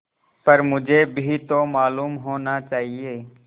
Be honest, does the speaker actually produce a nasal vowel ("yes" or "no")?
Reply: no